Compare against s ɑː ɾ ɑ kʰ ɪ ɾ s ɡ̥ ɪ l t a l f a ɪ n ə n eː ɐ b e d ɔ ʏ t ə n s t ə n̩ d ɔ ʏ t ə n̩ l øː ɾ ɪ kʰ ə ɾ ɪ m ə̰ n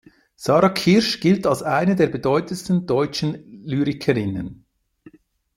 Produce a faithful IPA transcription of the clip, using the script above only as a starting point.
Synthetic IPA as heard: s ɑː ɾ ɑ kʰ ɪ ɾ ʃ ɡ̥ ɪ l t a l s a ɪ n ə d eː ɐ b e d ɔ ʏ t ə n s t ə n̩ d ɔ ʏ t͡ʃ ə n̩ l yː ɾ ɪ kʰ ə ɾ ɪ n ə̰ n